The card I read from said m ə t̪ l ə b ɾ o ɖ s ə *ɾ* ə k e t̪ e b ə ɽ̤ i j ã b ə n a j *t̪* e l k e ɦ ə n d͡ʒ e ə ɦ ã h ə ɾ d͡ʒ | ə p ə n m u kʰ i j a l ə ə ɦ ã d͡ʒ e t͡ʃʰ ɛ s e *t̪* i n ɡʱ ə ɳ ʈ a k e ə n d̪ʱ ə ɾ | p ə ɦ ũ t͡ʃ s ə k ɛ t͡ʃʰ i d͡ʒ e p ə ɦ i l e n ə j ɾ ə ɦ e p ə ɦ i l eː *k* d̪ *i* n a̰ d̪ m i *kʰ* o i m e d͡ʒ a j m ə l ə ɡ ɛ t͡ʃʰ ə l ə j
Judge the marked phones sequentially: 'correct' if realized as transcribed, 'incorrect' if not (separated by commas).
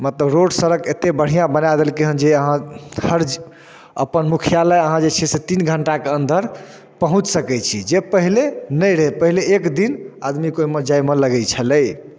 correct, incorrect, correct, correct, correct, incorrect